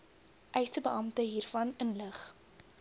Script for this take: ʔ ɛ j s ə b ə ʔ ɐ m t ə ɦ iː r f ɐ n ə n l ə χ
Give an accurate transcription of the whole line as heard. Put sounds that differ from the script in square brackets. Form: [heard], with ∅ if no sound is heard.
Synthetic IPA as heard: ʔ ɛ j s ə b ə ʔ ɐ m t ə ɦ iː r f ɐ n ə n l ə χ